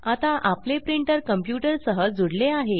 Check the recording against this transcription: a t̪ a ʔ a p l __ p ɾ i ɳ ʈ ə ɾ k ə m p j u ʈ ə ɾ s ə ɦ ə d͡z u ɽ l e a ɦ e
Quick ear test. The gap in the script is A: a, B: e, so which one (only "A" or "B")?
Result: B